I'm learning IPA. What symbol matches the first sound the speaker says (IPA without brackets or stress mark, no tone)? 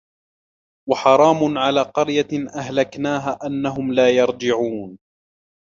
w